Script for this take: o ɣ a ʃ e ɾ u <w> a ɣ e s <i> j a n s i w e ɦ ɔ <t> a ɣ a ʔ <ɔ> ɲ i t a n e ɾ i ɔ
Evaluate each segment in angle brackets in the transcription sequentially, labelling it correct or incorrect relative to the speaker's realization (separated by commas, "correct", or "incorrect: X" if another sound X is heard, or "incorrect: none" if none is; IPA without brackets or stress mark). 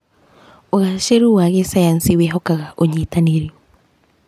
correct, incorrect: a, incorrect: k, incorrect: o